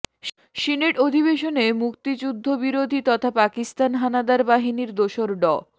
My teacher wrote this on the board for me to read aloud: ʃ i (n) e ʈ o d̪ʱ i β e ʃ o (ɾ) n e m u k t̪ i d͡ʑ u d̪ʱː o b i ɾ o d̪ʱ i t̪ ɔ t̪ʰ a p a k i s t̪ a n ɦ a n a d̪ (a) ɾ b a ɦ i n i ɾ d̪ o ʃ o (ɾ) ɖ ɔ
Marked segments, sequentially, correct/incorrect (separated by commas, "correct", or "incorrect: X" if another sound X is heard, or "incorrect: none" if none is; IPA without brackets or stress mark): correct, incorrect: none, correct, correct